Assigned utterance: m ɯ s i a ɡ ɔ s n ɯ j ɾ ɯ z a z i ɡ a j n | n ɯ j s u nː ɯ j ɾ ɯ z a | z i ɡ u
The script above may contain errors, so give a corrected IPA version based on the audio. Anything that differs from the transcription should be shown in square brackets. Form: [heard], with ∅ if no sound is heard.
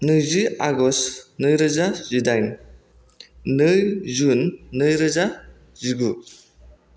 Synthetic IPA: [n] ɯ [z] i a ɡ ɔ s n ɯ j ɾ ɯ z a z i [d] a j n | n ɯ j [z] u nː ɯ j ɾ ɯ z a | z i ɡ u